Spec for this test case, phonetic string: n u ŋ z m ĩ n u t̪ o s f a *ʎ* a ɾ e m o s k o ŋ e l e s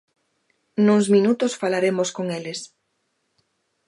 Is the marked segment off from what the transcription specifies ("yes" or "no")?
yes